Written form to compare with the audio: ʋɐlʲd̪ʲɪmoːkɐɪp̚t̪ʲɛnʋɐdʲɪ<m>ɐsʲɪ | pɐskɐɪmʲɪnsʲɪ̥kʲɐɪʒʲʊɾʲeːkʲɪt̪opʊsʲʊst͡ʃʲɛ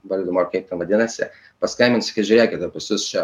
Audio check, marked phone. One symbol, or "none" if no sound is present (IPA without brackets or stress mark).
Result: n